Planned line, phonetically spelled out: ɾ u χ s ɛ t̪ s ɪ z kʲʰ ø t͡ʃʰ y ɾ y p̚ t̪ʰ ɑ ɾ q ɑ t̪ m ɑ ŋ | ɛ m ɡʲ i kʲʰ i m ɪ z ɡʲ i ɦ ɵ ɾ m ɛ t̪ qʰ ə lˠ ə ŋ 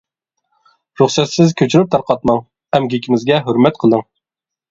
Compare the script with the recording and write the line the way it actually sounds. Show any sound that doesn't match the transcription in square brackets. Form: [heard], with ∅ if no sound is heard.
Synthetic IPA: ɾ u χ s ɛ t̪ s ɪ z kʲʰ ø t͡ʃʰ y ɾ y p̚ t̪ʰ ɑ ɾ q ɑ t̪ m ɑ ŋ | ɛ m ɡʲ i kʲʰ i m ɪ z ɡʲ [ɛ] ɦ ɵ ɾ m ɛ t̪ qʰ ə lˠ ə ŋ